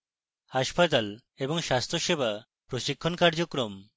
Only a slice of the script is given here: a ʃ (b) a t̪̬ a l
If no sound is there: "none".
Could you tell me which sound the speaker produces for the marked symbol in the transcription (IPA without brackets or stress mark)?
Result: p